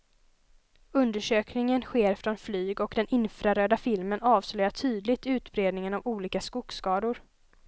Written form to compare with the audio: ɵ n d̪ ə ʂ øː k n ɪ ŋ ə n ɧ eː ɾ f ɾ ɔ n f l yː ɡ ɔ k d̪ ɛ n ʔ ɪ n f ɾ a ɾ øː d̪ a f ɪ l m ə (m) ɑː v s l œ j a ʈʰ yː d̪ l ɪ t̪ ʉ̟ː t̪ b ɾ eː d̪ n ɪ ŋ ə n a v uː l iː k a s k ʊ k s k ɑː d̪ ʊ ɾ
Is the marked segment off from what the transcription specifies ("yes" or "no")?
yes